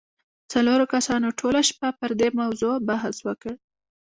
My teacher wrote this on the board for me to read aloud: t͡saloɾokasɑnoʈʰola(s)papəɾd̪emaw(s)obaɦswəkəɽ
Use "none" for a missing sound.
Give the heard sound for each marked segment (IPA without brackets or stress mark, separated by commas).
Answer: ʃ, z